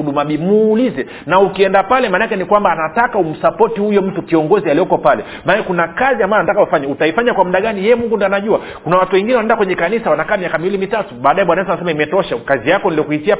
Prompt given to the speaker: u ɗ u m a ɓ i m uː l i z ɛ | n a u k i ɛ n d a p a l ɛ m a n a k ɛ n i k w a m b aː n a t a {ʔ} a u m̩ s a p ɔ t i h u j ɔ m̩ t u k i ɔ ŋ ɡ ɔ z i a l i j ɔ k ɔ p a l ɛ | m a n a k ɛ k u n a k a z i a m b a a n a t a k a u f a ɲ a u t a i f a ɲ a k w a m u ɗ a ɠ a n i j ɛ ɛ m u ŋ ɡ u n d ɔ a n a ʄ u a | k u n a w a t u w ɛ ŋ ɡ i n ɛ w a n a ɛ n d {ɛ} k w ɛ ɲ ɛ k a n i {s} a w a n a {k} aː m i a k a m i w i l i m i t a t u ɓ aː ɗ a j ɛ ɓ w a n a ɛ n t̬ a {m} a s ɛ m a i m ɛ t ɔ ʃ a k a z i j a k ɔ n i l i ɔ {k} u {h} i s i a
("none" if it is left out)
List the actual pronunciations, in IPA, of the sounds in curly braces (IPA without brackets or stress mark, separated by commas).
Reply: k, a, s, k, n, k, h